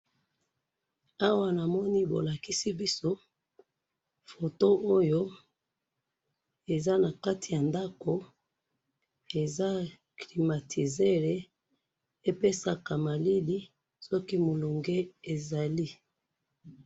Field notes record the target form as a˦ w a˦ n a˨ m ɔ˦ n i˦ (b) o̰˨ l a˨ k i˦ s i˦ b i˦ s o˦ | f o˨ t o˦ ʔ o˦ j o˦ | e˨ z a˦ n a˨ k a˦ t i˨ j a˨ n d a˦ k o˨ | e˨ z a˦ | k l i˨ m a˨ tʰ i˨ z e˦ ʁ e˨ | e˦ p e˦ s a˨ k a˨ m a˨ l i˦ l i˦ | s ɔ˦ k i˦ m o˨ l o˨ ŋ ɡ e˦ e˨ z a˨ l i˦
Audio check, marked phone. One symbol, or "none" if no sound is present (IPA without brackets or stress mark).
b